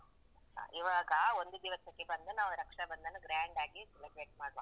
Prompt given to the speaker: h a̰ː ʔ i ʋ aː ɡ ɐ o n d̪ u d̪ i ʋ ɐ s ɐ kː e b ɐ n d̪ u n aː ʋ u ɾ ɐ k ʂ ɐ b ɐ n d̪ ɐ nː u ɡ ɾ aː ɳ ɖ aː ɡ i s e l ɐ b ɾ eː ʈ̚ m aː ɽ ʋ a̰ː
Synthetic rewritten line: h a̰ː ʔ i ʋ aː ɡ ɐ o n d̪ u d̪ i ʋ ɐ s ɐ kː e b ɐ n d̪ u n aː ʋ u ɾ ɐ k ʂ ɐ b ɐ n d̪ ɐ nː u ɡ ɾ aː ɳ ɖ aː ɡ i s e l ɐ b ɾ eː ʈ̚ m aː ɽ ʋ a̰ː